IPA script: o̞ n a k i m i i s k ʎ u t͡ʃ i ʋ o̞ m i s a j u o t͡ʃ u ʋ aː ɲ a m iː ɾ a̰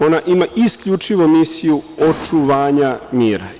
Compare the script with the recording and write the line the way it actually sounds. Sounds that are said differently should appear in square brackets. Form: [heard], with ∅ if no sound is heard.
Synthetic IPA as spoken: o̞ n a [ʔ] i m [a] i s k ʎ u t͡ʃ i ʋ o̞ m i s [i] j u o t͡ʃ u ʋ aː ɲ a m iː ɾ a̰